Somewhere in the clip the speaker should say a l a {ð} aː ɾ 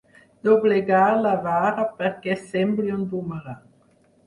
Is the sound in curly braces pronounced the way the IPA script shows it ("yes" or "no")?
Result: no